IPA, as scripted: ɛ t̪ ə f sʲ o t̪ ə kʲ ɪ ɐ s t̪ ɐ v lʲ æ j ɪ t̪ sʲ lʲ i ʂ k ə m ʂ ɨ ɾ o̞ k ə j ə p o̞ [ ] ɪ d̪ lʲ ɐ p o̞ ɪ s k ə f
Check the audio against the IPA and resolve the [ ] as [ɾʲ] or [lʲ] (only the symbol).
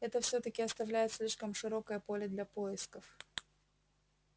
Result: lʲ